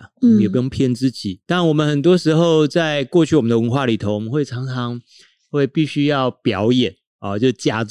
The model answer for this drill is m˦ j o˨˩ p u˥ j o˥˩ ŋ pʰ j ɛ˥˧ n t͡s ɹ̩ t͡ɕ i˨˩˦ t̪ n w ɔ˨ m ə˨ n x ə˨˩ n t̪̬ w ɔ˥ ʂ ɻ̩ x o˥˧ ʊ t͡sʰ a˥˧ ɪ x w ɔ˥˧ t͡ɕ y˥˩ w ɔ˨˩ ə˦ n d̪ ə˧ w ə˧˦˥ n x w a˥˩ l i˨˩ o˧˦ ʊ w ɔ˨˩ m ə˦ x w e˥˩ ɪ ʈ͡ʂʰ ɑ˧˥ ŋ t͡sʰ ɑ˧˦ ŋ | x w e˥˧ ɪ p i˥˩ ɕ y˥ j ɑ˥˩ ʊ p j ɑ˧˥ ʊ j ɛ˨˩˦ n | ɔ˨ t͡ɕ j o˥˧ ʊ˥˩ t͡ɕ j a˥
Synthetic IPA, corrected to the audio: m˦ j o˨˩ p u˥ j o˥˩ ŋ pʰ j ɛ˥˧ n t͡s ɹ̩ t͡ɕ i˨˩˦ t̪ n w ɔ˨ m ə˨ n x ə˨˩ n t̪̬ w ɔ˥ ʂ ɻ̩ x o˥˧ ʊ t͡s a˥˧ ɪ k w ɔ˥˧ t͡ɕʰ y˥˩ w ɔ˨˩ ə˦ n d̪ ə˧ w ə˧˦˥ n x w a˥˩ l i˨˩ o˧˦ ʊ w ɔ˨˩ m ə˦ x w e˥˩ ɪ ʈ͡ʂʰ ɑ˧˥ ŋ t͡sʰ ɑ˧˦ ŋ | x w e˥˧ ɪ p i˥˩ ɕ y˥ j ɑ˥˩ ʊ p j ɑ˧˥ ʊ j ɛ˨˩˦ n | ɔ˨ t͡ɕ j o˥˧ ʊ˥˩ t͡ɕ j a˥